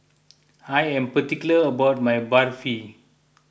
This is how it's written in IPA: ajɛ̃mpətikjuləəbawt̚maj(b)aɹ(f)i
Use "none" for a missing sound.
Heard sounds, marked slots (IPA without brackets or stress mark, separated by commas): b, f